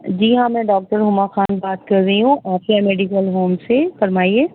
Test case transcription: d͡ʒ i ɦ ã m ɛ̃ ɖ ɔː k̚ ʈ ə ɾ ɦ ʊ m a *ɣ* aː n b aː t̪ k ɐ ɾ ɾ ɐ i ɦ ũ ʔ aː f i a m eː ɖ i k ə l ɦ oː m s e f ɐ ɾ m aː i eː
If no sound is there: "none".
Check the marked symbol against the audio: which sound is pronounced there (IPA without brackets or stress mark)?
x